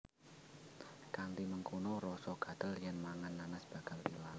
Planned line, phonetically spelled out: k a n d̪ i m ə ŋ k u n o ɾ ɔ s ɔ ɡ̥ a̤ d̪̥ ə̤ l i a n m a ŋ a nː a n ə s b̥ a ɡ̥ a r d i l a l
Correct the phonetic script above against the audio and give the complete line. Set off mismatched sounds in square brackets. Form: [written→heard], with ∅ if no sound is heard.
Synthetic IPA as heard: k a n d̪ i m ə ŋ k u n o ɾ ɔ s ɔ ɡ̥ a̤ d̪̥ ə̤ l [i→j] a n m a ŋ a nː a n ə s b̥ a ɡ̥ a [r→l] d i l a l

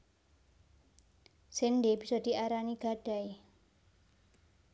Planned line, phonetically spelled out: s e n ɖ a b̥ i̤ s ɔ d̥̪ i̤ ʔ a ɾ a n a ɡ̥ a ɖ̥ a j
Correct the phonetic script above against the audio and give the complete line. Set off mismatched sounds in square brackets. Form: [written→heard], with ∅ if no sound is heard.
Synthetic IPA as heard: s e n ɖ [a→e] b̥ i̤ s ɔ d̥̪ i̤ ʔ a ɾ a n [a→i] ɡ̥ a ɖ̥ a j

